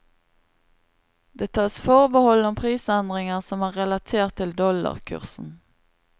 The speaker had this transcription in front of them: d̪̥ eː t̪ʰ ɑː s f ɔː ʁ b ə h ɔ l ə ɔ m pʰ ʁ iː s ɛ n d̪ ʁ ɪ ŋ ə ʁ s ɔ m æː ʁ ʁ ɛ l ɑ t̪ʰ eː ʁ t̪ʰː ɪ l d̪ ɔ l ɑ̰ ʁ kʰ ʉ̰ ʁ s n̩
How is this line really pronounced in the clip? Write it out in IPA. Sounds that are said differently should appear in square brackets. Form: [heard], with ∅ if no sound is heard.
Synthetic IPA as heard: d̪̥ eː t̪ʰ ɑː s f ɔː ʁ b ə h ɔ l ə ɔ m pʰ ʁ iː s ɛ n d̪ ʁ ɪ ŋ ə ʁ s ɔ m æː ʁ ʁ ɛ l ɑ t̪ʰ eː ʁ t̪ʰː ɪ l d̪ ɔ l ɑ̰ ʁ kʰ ʉ̰ ʁ s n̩

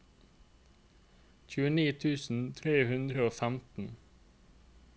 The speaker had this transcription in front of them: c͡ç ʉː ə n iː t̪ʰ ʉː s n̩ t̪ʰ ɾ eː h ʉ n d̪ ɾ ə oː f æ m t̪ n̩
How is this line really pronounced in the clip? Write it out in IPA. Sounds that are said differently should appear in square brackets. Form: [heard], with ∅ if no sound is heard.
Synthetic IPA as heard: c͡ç ʉː ə n iː t̪ʰ ʉː s n̩ t̪ʰ ɾ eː h ʉ n d̪ ɾ ə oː f æ m t̪ n̩

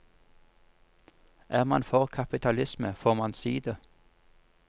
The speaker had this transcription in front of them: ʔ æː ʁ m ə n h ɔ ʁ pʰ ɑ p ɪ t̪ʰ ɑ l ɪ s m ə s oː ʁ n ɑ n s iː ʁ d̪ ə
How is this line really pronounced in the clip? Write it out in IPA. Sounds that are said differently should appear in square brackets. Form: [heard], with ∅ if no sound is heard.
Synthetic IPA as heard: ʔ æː ʁ m [ɑ] n [f] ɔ ʁ [kʰ] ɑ p ɪ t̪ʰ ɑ l ɪ s m ə [f] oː ʁ [m] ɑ n s iː [∅] d̪ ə

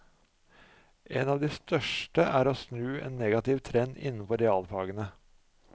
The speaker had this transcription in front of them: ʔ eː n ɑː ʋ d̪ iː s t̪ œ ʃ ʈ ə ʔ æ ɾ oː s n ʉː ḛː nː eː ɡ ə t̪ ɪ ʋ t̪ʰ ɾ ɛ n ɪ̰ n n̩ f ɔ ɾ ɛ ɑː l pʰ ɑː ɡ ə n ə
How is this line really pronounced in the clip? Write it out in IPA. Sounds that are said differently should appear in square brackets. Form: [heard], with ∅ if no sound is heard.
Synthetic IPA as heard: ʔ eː n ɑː ʋ d̪ iː s t̪ œ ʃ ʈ ə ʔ [æː] ɾ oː s n ʉː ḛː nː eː ɡ [ɑ] t̪ ɪ ʋ t̪ʰ ɾ ɛ n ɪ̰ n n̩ f ɔ ɾ ɛ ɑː l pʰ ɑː ɡ ə n ə

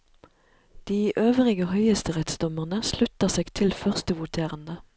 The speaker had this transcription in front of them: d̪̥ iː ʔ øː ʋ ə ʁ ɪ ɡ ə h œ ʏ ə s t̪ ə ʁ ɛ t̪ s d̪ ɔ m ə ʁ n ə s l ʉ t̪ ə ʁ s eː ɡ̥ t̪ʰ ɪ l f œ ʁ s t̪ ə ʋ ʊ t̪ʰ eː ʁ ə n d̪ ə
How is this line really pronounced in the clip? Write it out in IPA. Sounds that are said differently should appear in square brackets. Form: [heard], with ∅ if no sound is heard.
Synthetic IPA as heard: d̪̥ iː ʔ øː ʋ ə ʁ ɪ ɡ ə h œ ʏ ə s t̪ ə ʁ ɛ t̪ s d̪ ɔ m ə ʁ n ə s l ʉ t̪ ə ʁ s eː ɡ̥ t̪ʰ ɪ l f œ ʁ s t̪ ə ʋ ʊ t̪ʰ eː ʁ ə n d̪ ə

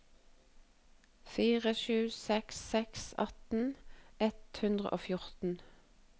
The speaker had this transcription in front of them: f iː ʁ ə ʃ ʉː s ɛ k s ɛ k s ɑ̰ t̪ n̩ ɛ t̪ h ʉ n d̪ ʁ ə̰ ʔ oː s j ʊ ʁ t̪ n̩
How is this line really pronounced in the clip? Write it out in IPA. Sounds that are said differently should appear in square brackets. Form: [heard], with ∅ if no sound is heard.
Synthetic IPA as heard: f iː ʁ ə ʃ ʉː s ɛ k s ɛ k s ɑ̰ t̪ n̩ ɛ t̪ h ʉ n d̪ ʁ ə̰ ʔ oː [f] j ʊ ʁ t̪ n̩

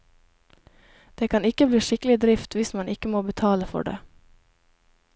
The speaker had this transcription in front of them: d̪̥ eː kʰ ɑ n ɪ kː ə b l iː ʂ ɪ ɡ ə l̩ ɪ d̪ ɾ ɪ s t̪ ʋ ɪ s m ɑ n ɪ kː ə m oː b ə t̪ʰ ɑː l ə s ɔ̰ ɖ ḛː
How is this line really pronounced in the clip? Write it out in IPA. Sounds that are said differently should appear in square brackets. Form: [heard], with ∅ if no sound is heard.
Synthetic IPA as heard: d̪̥ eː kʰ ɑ n ɪ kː ə b l iː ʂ ɪ [k] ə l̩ ɪ d̪ ɾ ɪ [f] t̪ ʋ ɪ s m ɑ n ɪ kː ə m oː b ə t̪ʰ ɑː l ə [f] ɔ̰ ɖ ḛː

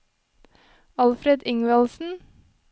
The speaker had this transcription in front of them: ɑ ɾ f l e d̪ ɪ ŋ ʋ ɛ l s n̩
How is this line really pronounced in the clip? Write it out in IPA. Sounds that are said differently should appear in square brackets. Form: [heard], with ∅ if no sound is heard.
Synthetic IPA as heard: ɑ [l] f [ɾ] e d̪ ɪ ŋ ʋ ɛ l s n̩

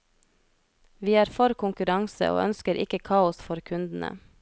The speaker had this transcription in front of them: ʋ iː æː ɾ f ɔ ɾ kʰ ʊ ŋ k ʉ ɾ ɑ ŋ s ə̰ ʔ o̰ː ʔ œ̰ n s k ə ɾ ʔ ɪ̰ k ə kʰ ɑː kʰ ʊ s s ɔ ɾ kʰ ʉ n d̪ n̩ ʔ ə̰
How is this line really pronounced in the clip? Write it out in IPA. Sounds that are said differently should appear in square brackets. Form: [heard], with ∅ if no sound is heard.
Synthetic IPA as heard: ʋ iː æː ɾ f ɔ ɾ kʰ ʊ ŋ k ʉ ɾ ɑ ŋ s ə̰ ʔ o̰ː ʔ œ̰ n s k ə ɾ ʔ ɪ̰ k ə kʰ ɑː [∅] ʊ s [f] ɔ ɾ kʰ ʉ n d̪ n̩ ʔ ə̰

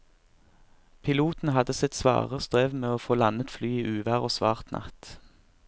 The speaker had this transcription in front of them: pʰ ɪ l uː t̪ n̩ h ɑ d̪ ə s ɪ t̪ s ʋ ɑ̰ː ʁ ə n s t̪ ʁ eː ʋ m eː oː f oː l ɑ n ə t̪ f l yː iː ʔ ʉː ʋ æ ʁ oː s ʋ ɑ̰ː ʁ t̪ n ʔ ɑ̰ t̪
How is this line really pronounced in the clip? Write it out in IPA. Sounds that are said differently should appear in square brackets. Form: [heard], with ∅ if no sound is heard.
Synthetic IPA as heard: pʰ ɪ l uː t̪ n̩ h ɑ d̪ ə s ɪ t̪ s ʋ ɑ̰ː ʁ ə [∅] s t̪ ʁ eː ʋ m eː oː f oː l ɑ n ə t̪ f l yː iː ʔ ʉː ʋ æ ʁ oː s ʋ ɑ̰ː ʁ t̪ n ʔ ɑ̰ t̪

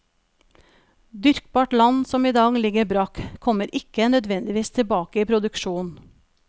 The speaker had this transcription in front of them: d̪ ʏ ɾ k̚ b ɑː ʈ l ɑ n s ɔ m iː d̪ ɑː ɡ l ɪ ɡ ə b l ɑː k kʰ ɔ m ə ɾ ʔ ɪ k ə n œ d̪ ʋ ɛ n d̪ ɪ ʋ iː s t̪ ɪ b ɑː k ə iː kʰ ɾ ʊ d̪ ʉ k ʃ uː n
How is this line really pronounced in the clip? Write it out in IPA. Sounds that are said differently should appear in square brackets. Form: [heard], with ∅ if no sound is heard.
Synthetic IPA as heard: d̪ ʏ ɾ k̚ b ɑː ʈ l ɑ n s ɔ m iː d̪ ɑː ɡ l ɪ ɡ ə b [ɾ] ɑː k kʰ ɔ m ə ɾ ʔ ɪ k ə n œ d̪ ʋ ɛ n d̪ ɪ ʋ iː s [t̪ʰ] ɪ b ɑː k ə iː [pʰ] ɾ ʊ d̪ ʉ k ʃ uː n

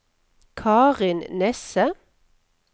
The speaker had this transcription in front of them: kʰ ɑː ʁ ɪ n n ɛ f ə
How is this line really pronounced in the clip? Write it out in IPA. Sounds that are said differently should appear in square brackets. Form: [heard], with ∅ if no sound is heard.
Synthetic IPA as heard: kʰ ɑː ʁ ɪ n n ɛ [s] ə

